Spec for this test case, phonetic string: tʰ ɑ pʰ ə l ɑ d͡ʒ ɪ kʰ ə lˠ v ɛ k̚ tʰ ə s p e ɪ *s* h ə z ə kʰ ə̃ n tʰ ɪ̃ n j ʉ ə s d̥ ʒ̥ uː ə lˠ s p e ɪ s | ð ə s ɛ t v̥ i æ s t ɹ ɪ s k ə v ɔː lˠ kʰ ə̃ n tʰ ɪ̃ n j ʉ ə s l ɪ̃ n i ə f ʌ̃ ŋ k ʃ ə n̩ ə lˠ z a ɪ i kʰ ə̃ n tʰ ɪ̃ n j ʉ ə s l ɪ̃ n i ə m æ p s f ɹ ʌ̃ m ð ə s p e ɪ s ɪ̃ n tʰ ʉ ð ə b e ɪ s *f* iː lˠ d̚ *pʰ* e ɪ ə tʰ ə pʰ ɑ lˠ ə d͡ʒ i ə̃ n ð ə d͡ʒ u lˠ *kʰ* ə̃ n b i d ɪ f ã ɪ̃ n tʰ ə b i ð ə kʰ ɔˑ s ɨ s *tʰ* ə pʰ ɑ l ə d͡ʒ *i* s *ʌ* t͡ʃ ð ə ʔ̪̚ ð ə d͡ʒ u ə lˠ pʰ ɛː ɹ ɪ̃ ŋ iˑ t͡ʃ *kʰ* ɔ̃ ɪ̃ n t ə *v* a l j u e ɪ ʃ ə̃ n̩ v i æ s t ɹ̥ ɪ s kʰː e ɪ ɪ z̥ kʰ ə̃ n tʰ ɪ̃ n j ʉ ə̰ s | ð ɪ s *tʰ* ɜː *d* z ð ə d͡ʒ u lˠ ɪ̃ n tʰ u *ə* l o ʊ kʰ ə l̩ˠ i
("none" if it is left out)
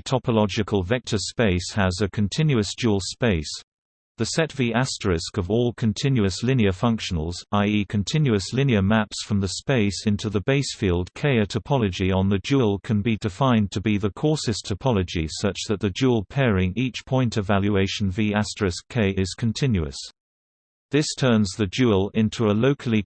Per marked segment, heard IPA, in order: s, f, kʰ, kʰ, tʰ, i, ʌ, pʰ, v, tʰ, n, ə

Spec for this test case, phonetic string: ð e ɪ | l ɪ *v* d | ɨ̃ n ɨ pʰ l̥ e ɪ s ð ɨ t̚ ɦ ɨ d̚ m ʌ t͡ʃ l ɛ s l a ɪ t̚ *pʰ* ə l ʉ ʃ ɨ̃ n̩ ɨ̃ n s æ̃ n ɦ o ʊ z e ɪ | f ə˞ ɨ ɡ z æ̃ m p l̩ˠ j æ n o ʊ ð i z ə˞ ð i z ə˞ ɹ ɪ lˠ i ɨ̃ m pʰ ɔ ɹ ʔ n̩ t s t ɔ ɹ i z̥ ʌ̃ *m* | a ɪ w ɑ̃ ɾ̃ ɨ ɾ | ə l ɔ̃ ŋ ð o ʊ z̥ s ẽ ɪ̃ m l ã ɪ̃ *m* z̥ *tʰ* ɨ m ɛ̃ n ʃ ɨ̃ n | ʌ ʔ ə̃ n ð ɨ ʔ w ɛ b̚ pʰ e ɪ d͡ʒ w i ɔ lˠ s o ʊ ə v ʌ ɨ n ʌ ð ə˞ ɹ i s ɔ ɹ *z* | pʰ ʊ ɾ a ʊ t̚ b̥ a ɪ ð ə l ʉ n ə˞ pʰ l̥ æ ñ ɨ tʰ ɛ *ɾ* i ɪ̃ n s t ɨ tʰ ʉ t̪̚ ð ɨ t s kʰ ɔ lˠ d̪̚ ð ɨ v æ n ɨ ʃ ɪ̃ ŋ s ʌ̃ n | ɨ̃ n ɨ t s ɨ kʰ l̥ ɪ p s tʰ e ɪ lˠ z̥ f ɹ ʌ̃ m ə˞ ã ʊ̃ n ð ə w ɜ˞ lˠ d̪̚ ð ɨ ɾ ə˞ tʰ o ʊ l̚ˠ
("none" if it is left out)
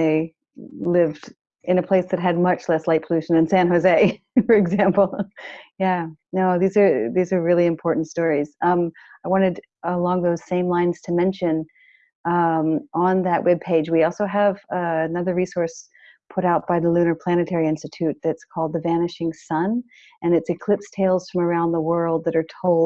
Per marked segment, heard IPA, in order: v, pʰ, m, n, tʰ, s, ɹ

